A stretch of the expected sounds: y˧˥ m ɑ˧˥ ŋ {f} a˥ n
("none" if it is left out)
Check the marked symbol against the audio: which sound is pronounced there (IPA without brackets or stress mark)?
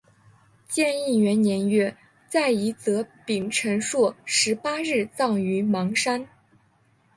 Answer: ʂ